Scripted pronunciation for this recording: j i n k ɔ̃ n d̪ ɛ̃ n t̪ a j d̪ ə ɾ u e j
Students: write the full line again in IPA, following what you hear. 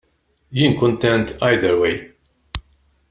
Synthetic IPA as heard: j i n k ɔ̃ n t̪ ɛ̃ n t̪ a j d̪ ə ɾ w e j